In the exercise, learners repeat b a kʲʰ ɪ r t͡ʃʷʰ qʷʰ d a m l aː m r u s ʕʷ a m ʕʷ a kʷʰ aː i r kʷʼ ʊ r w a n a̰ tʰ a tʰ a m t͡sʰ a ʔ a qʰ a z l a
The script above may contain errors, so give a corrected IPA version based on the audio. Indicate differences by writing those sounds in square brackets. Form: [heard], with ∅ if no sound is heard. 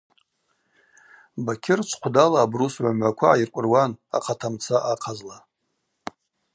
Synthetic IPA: b a kʲʰ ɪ r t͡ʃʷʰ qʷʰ d a [∅] l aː [b] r u s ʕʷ a m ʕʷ a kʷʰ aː i r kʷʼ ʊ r w a n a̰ [qʰ] a tʰ a m t͡sʰ a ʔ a qʰ a z l a